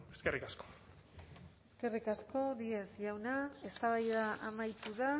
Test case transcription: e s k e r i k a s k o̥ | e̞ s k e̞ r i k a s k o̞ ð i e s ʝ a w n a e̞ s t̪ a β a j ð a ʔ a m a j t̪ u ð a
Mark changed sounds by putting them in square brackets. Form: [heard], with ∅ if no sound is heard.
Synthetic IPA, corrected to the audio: e s k e r i k a s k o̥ | e̞ s k e̞ r i k a s k o̞ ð i e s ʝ a w n a e̞ s t̪ a β a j ð a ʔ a m a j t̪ u ð a